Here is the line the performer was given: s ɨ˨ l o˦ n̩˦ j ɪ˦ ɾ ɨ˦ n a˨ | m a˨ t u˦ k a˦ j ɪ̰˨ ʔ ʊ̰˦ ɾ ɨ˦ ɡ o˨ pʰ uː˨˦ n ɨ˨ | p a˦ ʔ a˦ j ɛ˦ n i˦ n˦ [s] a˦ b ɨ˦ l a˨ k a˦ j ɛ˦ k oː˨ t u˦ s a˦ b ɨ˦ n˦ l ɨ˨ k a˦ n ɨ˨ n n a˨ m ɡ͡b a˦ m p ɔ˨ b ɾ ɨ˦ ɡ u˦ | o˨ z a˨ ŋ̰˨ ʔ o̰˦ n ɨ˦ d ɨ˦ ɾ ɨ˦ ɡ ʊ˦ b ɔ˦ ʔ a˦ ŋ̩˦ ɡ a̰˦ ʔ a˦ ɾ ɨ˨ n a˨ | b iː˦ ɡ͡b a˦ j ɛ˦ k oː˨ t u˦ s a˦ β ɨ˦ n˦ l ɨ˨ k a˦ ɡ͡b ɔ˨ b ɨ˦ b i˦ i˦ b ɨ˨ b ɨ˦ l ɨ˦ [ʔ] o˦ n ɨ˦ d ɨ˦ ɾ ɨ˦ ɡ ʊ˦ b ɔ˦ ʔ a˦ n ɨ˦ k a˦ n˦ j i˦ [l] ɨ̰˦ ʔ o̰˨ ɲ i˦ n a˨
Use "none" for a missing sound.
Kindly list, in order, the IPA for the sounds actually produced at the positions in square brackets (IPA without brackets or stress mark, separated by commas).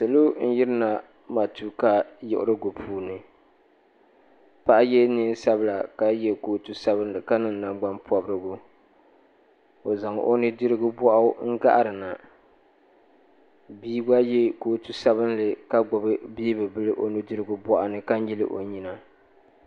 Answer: s, ʔ, l